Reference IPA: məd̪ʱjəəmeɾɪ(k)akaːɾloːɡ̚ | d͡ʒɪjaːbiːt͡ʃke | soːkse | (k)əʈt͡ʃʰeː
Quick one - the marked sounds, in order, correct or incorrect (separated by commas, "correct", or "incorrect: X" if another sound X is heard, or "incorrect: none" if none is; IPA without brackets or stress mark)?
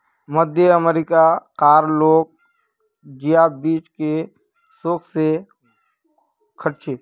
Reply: correct, incorrect: kʰ